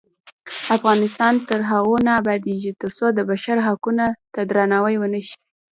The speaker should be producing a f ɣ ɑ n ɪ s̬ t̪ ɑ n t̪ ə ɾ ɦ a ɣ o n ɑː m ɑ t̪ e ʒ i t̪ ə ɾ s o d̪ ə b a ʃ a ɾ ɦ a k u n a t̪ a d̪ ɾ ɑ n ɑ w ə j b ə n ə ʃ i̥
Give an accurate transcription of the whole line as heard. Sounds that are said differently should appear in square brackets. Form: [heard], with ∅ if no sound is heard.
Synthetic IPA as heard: a f ɣ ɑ n ɪ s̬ t̪ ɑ n t̪ ə ɾ ɦ a ɣ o n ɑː [b] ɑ [d̪] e ʒ i t̪ ə ɾ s o d̪ ə b a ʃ a ɾ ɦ a k u n a t̪ a d̪ ɾ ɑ n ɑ w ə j [w] ə n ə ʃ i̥